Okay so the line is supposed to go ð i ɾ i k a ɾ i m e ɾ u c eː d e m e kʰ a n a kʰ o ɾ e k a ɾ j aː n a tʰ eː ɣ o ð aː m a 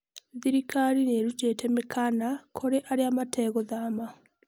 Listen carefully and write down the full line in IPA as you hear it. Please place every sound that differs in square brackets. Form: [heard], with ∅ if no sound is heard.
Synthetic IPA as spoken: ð i ɾ i k a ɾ i [n] e ɾ u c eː [t] e m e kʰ a n a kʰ o ɾ e [ʔ] a ɾ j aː [m] a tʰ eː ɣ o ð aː m a